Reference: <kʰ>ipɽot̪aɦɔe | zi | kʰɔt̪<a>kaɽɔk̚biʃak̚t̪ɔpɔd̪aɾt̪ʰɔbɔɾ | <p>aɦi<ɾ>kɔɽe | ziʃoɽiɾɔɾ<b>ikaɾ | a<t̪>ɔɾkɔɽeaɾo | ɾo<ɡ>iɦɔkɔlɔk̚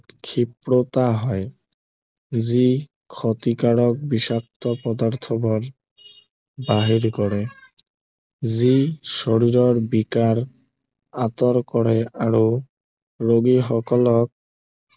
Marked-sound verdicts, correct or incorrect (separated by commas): correct, incorrect, incorrect, correct, correct, correct, correct